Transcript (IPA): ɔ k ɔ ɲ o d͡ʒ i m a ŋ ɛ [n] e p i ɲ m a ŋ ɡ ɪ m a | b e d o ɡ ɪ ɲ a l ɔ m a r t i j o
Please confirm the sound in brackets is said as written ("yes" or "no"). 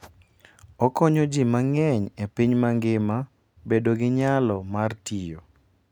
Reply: no